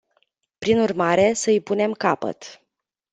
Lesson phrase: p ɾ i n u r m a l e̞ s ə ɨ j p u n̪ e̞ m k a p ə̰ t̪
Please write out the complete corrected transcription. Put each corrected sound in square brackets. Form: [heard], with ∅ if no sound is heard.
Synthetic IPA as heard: p ɾ i n u r m a [ɾ] e̞ s ə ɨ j p u n̪ e̞ m k a p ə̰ t̪